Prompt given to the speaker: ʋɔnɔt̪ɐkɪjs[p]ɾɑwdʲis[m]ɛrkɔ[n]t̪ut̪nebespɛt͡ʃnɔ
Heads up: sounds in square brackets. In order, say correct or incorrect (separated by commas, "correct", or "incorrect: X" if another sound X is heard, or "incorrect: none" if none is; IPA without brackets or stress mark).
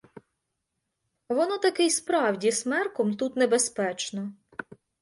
correct, correct, incorrect: m